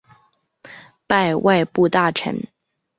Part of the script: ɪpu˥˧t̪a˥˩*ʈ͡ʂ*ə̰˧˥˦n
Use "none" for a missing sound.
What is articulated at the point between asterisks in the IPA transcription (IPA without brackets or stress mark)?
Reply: ʈ͡ʂʰ